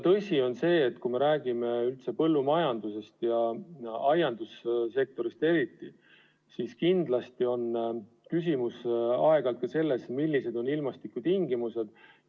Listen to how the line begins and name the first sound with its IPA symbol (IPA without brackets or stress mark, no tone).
t̪